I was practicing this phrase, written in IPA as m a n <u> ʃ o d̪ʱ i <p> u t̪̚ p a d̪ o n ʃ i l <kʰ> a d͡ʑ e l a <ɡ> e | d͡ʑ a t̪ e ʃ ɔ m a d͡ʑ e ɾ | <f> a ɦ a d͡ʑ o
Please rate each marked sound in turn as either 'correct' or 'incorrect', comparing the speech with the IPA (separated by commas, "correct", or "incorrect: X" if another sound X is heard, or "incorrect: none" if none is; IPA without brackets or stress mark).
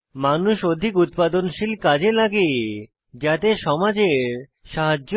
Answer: correct, incorrect: k, incorrect: k, correct, incorrect: ʃ